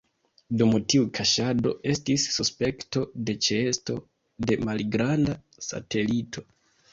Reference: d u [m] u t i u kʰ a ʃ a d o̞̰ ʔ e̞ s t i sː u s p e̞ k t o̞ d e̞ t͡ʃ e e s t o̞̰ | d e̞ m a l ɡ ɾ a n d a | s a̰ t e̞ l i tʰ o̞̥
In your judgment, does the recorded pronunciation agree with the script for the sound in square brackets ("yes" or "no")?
yes